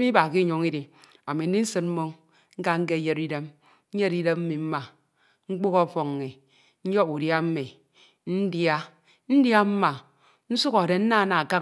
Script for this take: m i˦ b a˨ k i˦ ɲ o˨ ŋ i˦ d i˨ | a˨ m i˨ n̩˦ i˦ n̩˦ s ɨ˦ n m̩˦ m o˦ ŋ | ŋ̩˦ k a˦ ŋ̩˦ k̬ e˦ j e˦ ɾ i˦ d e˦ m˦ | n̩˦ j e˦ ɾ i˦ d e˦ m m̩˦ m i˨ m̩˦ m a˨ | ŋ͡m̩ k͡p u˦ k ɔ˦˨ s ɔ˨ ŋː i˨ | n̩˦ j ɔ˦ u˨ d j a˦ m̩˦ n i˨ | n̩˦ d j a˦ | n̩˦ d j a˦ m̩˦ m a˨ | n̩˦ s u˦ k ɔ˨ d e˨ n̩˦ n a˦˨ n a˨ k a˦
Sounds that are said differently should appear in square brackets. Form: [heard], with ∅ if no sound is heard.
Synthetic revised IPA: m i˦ b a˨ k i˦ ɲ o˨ ŋ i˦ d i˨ | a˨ m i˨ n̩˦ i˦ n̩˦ s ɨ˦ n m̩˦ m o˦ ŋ | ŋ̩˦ k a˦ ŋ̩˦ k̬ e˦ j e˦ ɾ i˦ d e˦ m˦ | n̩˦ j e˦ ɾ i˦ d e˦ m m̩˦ m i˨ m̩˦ m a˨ | ŋ͡m̩ k͡p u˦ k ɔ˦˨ [f] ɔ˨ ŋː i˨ | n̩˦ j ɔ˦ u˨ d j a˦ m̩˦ [m] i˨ | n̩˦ d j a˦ | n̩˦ d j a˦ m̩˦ m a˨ | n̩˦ s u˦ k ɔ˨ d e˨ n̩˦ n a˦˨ n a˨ k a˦